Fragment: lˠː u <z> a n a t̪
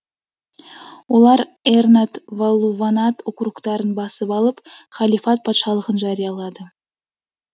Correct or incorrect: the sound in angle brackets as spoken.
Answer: incorrect: v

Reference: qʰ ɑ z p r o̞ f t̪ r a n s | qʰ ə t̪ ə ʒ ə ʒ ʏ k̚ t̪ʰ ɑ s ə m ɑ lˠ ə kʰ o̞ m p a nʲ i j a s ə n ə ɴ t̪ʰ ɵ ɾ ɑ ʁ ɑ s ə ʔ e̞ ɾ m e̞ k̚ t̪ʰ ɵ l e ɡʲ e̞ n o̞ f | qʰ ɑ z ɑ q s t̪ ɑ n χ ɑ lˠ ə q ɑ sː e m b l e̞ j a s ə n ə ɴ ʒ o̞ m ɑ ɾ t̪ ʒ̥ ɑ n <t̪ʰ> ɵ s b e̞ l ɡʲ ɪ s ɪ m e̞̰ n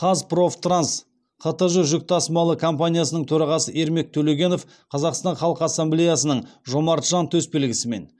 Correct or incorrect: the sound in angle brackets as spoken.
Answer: correct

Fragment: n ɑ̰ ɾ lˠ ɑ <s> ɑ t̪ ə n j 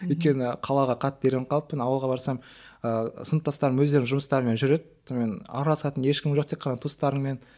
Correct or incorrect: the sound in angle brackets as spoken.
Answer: correct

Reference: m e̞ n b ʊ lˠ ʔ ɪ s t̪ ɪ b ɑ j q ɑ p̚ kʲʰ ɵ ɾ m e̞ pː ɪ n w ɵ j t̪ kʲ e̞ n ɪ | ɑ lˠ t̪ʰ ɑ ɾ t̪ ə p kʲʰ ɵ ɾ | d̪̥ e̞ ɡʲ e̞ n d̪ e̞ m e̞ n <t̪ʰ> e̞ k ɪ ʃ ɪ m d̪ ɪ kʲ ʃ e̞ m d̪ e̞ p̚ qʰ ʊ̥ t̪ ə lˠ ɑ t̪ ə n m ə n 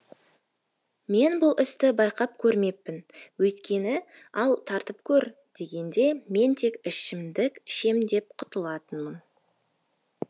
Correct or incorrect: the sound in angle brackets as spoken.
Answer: correct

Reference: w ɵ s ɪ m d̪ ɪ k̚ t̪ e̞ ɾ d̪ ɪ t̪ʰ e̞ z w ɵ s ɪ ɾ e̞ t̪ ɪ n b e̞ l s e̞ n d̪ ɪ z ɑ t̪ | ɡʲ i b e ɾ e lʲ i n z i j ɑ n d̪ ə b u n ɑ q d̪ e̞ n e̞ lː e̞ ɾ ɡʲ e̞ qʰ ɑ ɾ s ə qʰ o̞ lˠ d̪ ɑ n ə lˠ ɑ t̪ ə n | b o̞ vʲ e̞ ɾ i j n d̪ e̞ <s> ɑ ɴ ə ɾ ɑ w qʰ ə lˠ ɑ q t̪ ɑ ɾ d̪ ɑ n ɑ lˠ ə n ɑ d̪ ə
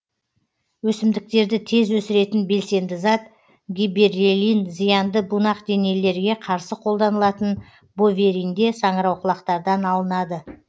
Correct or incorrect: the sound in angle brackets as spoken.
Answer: correct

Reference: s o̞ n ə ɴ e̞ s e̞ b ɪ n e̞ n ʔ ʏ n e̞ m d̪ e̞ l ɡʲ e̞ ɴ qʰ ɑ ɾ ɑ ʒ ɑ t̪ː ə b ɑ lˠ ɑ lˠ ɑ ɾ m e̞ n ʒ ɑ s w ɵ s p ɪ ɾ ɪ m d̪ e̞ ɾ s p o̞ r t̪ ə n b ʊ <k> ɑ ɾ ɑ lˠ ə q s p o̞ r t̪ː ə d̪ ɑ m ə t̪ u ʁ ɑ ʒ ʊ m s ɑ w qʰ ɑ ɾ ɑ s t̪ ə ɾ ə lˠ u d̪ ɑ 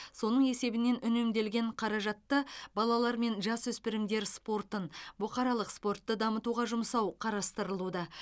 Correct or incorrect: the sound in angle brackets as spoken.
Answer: incorrect: q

